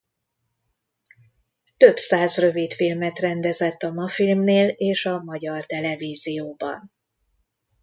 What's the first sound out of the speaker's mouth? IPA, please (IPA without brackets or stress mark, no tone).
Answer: t̪